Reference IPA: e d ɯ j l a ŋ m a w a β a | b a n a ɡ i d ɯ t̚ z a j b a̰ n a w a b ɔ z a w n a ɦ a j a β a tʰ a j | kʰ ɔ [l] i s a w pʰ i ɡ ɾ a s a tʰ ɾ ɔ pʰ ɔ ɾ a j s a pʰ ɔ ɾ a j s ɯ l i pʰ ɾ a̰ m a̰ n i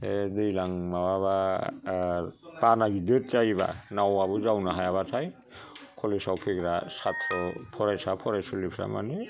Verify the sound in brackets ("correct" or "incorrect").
correct